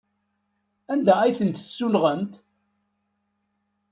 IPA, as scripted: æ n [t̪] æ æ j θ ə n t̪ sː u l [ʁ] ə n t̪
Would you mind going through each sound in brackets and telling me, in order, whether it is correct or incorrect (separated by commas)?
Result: incorrect, correct